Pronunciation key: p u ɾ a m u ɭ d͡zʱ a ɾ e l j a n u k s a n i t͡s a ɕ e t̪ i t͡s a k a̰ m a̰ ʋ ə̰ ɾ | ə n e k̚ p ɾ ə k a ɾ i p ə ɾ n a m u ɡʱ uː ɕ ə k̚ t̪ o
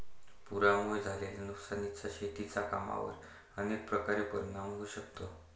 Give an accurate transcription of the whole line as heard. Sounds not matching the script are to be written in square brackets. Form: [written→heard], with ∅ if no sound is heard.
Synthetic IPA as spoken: p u ɾ a m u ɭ d͡zʱ a [ɾ→l] e l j a n u k s a n i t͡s a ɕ e t̪ i t͡s a k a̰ m a̰ ʋ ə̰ ɾ | ə n e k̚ p ɾ ə k a ɾ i p ə ɾ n a m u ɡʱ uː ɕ ə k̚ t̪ o

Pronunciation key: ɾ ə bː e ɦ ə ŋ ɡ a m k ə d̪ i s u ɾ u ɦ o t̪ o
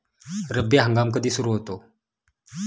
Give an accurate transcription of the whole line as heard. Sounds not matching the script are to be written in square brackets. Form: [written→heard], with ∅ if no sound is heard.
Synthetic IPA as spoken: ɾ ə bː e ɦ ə ŋ ɡ a m k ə d̪ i s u ɾ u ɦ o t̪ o

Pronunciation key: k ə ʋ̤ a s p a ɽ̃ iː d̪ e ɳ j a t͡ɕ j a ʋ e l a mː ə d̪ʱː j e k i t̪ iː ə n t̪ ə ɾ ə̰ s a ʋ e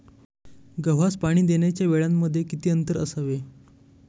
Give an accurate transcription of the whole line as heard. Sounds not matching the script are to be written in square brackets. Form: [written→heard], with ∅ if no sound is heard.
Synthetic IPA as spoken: [k→ɡ] ə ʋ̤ a s p a ɽ̃ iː d̪ e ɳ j a t͡ɕ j a ʋ e [l→ɭ] a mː ə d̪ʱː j e k i t̪ iː ə n t̪ ə ɾ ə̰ s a ʋ e

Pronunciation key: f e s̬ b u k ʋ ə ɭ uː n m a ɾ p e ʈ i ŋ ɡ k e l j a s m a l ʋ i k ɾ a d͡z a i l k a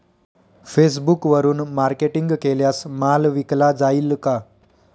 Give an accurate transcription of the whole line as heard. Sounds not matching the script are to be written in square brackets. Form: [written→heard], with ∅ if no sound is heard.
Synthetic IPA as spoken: f e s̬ b u k ʋ ə [ɭ→ɾ] uː n m a ɾ [p→k] e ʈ i ŋ ɡ k e l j a s m a l ʋ i k [ɾ→l] a d͡z a i l k a

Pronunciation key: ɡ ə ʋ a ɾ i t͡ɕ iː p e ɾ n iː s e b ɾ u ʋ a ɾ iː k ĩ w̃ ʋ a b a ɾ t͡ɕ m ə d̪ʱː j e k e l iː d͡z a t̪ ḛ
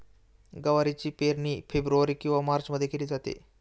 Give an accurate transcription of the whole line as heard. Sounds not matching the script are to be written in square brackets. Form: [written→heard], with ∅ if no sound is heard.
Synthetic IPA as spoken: ɡ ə ʋ a ɾ i t͡ɕ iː p e ɾ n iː [s→f] e b ɾ u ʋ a ɾ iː k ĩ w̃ ʋ a [b→m] a ɾ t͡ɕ m ə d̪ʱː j e k e l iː d͡z a t̪ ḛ

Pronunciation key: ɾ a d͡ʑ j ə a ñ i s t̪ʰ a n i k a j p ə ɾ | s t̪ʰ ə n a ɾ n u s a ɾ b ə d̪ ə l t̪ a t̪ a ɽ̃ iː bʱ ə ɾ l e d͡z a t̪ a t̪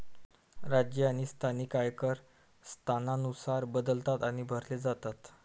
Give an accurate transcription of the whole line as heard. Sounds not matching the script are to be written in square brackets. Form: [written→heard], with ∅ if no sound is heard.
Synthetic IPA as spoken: ɾ a d͡ʑ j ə a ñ i s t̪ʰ a n i k a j [p→k] ə ɾ | s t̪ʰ [ə→a] n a [ɾ→∅] n u s a ɾ b ə d̪ ə l t̪ a t̪ a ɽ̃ [iː→i] bʱ ə ɾ l e d͡z a t̪ a t̪

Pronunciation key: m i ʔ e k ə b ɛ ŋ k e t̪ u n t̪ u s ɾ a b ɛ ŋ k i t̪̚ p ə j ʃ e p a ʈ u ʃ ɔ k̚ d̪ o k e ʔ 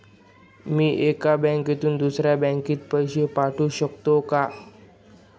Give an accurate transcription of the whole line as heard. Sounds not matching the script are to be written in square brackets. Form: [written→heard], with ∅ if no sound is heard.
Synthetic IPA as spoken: m i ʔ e k [ə→a] b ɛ ŋ k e t̪ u n [t̪→d̪] u s ɾ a b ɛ ŋ k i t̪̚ p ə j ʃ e p a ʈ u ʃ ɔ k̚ [d̪→t̪] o k [e→a] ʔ

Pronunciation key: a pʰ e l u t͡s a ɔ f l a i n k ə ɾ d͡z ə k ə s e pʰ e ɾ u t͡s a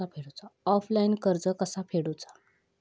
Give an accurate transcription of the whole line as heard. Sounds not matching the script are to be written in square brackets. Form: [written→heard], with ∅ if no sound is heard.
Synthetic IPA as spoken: a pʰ e [l→ɽ] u t͡s a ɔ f l a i n k ə ɾ d͡z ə k ə s [e→a] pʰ e [ɾ→ɽ] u t͡s a

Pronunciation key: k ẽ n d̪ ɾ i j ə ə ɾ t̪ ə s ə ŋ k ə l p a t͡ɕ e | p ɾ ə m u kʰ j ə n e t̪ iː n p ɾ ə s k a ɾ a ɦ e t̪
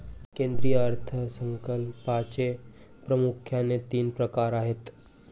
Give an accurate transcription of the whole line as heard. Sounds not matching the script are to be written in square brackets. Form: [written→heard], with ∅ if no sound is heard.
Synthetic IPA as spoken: k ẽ n d̪ ɾ i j ə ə ɾ [t̪→t̪ʰ] ə s ə ŋ k ə l p a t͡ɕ e | p ɾ ə m u kʰ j [ə→a] n e t̪ iː n p ɾ ə [s→∅] k a ɾ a ɦ e t̪

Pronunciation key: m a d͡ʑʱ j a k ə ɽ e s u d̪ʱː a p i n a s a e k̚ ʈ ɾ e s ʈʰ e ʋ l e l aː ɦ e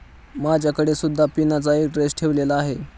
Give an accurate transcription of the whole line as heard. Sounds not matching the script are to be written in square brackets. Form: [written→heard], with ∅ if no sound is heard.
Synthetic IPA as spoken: m a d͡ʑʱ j a k ə ɽ e s u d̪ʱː a p i n a [s→t͡s] a e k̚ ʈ ɾ e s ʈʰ e ʋ l e l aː ɦ e

